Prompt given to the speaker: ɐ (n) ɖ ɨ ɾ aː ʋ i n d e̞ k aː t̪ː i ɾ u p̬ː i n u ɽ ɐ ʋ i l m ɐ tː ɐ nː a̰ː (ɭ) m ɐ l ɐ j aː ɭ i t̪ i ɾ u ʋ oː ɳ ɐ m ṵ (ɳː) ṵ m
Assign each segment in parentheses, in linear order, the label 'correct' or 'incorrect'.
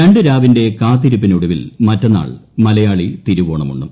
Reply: incorrect, correct, correct

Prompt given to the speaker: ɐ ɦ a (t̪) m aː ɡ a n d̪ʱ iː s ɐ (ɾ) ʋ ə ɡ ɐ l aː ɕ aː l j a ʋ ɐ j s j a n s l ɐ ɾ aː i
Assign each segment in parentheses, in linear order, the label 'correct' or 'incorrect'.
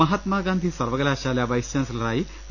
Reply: correct, correct

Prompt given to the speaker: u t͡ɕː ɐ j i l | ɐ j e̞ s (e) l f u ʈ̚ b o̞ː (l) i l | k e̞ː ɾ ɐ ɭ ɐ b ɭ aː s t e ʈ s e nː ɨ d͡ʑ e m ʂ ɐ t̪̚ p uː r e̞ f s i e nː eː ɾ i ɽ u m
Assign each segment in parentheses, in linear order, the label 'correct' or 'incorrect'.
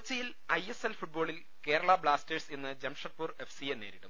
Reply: correct, incorrect

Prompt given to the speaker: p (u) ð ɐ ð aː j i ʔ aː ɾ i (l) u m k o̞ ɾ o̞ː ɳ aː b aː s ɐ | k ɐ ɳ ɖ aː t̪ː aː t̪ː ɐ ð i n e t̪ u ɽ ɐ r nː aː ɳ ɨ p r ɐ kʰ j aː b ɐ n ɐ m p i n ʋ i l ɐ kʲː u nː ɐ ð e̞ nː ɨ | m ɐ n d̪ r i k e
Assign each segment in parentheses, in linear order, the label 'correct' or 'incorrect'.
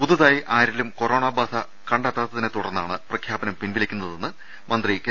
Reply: correct, correct

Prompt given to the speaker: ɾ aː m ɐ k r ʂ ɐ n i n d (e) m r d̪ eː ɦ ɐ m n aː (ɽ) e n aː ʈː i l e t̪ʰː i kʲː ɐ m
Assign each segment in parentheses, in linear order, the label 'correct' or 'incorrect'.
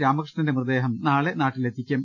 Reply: correct, incorrect

